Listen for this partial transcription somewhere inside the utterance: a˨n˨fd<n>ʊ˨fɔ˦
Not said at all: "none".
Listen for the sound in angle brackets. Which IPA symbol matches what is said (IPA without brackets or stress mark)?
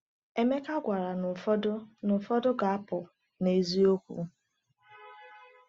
n